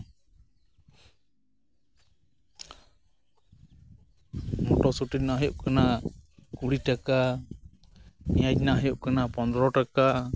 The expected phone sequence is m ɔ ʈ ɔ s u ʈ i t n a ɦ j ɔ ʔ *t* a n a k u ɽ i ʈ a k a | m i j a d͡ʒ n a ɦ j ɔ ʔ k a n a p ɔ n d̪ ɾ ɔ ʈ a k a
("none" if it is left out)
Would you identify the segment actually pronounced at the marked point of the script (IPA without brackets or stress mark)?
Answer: k